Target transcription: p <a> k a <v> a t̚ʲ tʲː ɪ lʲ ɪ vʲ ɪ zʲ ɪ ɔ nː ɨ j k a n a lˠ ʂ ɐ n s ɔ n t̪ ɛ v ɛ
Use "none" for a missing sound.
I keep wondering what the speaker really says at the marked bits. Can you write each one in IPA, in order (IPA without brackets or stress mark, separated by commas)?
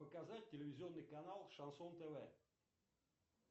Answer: ə, z